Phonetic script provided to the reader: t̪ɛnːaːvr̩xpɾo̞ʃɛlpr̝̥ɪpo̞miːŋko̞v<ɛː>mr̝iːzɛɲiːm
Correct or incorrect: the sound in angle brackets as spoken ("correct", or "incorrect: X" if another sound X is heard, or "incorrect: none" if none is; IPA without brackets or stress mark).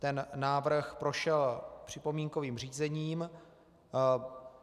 incorrect: iː